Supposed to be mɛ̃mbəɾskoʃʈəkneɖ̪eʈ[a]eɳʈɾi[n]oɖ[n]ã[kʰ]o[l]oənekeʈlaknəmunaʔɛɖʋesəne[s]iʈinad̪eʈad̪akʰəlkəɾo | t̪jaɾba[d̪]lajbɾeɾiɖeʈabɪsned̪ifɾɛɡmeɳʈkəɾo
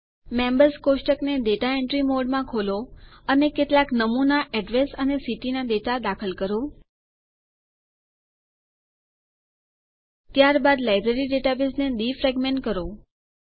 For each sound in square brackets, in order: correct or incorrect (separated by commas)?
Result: correct, incorrect, incorrect, correct, correct, correct, correct